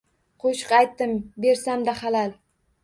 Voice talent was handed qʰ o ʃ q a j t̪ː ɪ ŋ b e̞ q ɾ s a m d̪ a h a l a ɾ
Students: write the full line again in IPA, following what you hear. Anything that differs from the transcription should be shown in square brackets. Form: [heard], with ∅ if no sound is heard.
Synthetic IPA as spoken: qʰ o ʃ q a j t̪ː ɪ [m] b e̞ [∅] ɾ s a m d̪ a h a l a [l]